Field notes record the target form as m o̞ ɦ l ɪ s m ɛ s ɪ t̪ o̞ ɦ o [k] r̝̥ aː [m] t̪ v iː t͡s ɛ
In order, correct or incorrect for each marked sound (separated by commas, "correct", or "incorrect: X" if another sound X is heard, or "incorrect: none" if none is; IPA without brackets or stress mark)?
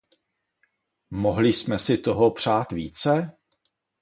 incorrect: p, incorrect: none